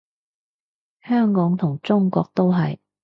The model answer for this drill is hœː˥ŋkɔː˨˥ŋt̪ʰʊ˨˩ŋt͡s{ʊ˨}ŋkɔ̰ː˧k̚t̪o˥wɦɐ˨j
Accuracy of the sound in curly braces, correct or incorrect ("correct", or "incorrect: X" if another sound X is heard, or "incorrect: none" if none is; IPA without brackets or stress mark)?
incorrect: ʊ˥